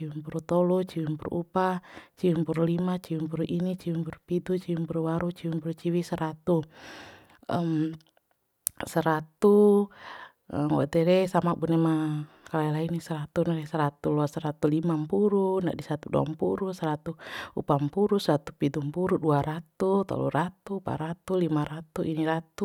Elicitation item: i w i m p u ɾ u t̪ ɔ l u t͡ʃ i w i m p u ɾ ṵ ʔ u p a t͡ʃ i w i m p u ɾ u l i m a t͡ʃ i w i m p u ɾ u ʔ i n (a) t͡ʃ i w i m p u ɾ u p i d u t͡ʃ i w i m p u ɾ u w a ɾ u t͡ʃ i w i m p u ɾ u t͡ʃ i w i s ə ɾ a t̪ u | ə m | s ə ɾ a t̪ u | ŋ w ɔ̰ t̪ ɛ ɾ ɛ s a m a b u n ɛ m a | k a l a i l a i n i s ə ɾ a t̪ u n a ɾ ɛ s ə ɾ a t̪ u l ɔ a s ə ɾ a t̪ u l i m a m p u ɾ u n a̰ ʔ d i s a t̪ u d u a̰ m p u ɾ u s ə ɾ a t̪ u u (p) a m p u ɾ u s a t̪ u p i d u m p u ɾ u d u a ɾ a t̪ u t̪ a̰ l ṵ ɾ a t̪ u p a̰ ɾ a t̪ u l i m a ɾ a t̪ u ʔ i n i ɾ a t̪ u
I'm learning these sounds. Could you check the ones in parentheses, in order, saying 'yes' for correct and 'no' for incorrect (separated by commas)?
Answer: no, yes